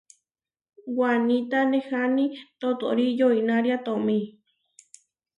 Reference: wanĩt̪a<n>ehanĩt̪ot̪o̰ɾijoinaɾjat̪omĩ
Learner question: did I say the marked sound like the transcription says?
yes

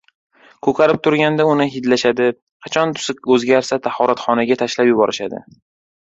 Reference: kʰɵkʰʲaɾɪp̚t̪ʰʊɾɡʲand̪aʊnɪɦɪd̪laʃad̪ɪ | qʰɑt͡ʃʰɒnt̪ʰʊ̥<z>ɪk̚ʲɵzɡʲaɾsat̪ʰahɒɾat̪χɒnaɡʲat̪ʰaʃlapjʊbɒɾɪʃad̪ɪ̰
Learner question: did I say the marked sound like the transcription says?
no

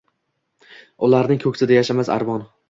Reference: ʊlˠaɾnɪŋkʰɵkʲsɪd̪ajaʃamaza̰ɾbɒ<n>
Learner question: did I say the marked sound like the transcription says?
yes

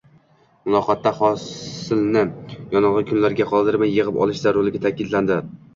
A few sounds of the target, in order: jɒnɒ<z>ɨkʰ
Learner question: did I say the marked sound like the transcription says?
no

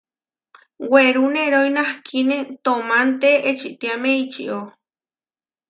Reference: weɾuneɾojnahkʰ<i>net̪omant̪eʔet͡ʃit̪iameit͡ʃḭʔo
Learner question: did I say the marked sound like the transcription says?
yes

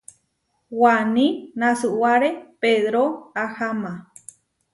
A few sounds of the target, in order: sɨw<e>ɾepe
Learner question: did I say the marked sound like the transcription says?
no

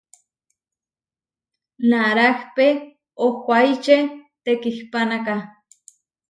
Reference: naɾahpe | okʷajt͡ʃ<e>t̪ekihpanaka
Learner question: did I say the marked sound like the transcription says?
yes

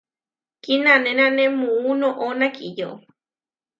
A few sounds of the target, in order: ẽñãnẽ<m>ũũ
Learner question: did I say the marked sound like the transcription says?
yes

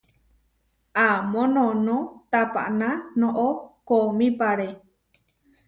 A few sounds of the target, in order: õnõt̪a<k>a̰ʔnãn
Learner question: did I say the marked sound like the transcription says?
no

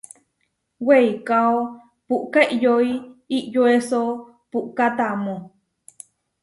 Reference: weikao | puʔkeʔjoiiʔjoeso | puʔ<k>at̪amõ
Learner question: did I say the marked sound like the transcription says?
yes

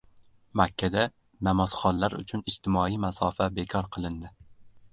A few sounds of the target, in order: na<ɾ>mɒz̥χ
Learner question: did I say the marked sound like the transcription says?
no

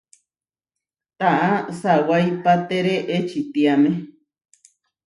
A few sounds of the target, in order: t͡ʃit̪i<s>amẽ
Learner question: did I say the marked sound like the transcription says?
no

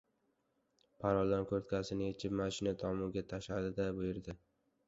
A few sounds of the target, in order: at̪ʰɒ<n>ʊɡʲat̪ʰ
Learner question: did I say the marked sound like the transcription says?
no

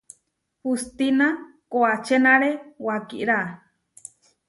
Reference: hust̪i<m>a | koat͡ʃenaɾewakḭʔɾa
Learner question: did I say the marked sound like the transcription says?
no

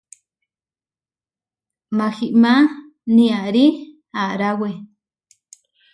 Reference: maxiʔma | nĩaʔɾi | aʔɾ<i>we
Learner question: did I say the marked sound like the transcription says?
no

